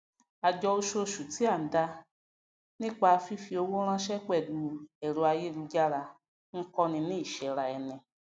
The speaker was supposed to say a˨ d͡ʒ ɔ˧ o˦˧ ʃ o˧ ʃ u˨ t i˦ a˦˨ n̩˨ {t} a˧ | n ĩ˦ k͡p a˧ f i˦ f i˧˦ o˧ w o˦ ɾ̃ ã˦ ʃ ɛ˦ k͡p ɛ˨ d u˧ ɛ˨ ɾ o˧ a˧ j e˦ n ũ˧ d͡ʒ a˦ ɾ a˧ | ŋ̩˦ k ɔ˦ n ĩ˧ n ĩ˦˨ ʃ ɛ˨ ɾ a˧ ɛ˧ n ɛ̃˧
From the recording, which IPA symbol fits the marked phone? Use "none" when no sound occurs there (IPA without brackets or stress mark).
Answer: d